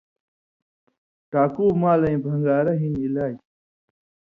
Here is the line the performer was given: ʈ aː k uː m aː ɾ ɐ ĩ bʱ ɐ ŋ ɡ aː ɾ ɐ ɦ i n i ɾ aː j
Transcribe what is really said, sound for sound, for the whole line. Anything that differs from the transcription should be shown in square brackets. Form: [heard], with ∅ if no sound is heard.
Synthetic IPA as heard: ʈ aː k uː m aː [l] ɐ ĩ bʱ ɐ ŋ ɡ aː ɾ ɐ ɦ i n i [l] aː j